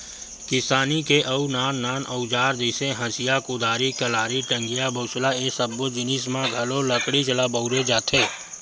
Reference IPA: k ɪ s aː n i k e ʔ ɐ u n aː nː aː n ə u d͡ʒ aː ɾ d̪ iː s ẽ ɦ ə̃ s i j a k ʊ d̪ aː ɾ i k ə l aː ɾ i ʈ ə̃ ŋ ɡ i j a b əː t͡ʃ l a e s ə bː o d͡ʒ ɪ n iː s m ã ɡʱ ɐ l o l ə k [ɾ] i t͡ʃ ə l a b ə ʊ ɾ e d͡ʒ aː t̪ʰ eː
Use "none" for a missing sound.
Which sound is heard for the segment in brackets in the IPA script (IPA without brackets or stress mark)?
ɽ